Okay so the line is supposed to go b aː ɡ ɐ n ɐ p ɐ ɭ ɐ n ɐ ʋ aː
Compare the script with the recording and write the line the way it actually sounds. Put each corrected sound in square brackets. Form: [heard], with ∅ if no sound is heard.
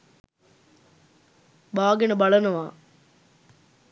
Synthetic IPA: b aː ɡ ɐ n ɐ [b] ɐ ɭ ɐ n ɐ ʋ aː